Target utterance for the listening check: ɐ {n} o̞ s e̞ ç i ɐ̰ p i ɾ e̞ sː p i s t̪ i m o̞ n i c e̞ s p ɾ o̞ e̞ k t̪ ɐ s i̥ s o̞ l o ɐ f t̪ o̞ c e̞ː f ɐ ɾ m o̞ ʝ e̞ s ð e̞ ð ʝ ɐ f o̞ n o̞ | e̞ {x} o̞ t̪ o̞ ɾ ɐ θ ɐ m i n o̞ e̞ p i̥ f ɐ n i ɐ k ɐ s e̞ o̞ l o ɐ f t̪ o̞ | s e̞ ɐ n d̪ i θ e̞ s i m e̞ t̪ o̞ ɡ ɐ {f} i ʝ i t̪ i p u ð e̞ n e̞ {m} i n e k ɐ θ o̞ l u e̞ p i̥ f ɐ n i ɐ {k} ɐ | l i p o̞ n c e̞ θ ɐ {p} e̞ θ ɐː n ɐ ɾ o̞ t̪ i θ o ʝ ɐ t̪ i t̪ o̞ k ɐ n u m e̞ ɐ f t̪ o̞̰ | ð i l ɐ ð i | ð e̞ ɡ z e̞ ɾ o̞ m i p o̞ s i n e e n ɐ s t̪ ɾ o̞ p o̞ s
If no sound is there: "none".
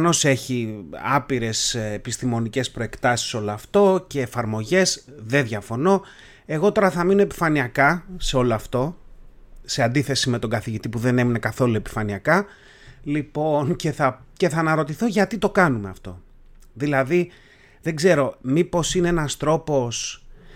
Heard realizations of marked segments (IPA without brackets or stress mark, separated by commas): n, ɣ, θ, m, k, c